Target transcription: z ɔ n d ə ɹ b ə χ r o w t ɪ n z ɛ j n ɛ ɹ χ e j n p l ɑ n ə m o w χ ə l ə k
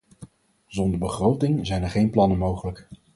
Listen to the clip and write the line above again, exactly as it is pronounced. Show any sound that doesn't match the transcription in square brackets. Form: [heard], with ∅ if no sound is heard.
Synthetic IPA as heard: z ɔ n d ə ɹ b ə χ r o w t ɪ [ŋ] z ɛ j n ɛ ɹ χ e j n p l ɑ n ə m o w χ ə l ə k